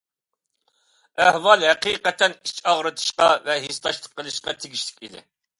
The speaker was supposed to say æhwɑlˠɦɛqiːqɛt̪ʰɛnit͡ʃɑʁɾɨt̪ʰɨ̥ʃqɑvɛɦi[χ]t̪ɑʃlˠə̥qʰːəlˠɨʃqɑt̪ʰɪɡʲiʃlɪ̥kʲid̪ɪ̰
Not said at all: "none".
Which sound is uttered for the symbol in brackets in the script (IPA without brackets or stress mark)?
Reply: s